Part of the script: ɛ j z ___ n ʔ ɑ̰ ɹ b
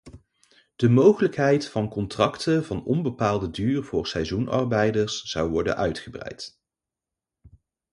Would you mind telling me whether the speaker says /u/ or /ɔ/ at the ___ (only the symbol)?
u